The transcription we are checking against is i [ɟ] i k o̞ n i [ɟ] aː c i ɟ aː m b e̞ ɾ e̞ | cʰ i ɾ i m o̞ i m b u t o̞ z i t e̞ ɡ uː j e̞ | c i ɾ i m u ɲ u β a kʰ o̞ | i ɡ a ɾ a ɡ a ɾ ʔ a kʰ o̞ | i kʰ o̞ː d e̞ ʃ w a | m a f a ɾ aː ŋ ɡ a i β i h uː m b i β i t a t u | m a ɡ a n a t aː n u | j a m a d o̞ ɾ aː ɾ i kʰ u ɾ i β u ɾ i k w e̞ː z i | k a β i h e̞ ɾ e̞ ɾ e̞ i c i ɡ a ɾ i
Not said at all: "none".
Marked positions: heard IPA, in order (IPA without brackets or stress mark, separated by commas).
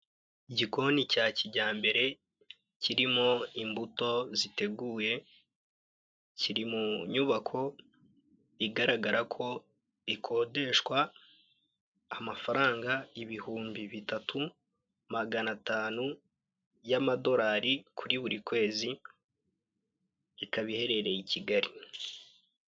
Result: ɟ, c